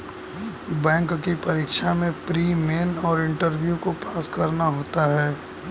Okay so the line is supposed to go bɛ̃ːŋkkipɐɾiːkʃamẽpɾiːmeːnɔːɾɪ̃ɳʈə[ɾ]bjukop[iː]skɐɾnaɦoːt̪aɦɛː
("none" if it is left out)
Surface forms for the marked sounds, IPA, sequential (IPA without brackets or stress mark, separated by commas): ɾ, aː